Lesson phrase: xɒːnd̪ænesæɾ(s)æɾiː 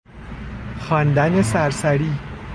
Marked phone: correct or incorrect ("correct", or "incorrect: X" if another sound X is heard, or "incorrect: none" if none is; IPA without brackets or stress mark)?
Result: correct